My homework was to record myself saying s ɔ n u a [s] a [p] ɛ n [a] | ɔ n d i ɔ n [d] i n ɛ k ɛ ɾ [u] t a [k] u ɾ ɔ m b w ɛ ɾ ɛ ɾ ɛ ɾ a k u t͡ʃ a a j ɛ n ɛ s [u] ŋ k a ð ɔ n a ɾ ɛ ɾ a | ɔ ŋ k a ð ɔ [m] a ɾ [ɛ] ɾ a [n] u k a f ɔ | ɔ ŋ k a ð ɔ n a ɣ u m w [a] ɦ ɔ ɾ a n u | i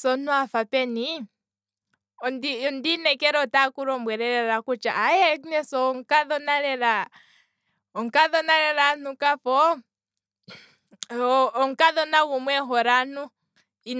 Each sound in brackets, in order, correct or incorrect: incorrect: f, correct, incorrect: i, correct, incorrect: ɔ, correct, incorrect: ɔ, incorrect: n, correct, correct, incorrect: ɛ

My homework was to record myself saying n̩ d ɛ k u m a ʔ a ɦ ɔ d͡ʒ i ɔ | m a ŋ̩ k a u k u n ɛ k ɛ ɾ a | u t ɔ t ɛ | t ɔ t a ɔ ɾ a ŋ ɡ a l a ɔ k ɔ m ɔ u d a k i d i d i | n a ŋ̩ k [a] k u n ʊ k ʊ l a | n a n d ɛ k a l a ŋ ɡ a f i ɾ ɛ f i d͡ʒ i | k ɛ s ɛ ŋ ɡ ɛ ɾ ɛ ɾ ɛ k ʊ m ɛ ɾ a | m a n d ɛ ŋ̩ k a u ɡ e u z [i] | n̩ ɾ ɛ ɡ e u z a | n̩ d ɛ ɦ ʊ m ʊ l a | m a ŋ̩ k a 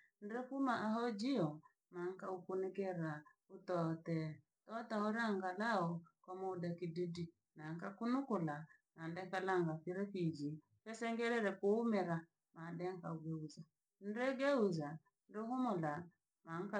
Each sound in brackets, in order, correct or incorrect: correct, incorrect: a

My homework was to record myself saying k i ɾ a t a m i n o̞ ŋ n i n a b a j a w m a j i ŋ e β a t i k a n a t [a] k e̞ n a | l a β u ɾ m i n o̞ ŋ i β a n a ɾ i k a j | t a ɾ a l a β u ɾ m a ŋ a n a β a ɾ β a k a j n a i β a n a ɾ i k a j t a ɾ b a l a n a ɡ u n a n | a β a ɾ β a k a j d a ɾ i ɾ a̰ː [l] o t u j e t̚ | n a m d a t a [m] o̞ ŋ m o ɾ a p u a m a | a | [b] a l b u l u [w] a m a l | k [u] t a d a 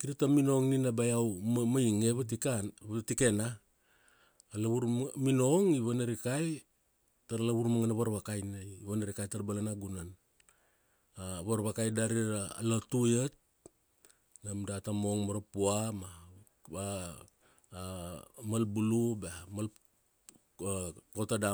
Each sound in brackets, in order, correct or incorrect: incorrect: i, correct, correct, incorrect: m, incorrect: b, incorrect: o

